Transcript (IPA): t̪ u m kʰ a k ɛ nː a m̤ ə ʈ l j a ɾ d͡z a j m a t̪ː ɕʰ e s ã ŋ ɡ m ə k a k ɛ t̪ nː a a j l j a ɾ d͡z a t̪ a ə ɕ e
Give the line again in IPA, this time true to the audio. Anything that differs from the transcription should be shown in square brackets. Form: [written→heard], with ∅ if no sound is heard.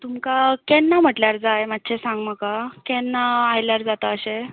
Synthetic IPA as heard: t̪ u m [kʰ→k] a k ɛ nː a m̤ ə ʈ l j a ɾ d͡z a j m a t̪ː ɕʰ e s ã ŋ ɡ m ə k a k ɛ [t̪→∅] nː a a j l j a ɾ d͡z a t̪ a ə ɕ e